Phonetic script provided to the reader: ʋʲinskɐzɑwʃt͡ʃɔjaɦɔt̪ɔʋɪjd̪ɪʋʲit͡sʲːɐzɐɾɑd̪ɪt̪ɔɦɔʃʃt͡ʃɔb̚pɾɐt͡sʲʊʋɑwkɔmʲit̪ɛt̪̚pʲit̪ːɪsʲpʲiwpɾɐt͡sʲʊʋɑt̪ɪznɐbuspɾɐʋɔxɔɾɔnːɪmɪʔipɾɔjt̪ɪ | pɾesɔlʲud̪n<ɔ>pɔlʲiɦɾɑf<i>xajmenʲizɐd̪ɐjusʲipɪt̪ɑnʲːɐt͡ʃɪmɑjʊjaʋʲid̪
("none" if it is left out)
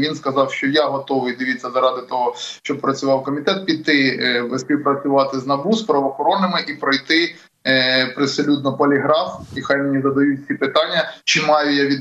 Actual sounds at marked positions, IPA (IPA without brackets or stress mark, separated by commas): ɔ, i